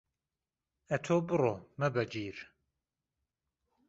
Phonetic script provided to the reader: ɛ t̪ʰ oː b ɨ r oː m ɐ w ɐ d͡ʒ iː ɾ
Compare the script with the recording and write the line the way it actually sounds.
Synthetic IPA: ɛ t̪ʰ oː b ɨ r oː m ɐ b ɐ d͡ʒ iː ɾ